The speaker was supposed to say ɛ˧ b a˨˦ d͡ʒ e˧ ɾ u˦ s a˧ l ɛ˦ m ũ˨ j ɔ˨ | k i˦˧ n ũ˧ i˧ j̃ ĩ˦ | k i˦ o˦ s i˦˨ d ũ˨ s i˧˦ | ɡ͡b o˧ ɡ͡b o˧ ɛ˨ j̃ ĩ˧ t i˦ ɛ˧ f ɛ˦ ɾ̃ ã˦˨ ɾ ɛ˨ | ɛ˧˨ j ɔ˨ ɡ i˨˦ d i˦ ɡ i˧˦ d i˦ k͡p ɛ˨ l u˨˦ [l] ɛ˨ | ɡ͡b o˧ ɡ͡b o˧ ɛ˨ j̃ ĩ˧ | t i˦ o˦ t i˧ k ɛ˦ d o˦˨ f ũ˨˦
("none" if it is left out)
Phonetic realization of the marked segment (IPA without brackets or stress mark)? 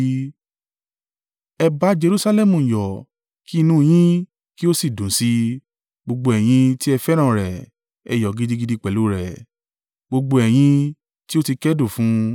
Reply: ɾ